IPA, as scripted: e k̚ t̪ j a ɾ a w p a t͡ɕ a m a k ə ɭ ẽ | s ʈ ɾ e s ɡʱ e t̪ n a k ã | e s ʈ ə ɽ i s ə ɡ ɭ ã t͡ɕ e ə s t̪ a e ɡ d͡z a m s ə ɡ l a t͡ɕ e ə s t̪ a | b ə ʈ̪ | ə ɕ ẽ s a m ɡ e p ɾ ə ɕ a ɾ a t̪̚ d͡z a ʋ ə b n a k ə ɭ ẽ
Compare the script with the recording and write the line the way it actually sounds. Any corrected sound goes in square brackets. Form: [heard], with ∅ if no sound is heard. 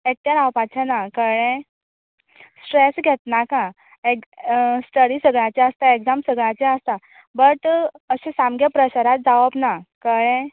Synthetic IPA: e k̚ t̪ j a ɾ a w p a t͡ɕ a [n] a k ə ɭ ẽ | s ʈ ɾ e s ɡʱ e t̪ n a k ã | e s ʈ ə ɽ i s ə ɡ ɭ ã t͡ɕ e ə s t̪ a e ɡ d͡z a m s ə ɡ [ɭ] a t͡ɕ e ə s t̪ a | b ə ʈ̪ | ə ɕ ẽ s a m ɡ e p ɾ ə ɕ a ɾ a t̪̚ d͡z a ʋ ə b n a k ə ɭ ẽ